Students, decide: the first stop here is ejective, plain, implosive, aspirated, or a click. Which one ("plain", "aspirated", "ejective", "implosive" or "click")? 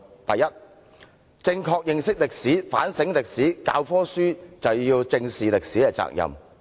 plain